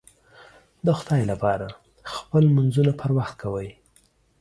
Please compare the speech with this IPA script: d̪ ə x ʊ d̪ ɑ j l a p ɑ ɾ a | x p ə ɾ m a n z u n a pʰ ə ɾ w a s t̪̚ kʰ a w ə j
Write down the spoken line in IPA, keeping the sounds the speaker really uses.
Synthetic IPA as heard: d̪ ə x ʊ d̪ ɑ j l a p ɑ ɾ a | x p ə l m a n z u n a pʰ ə ɾ w a x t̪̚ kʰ a w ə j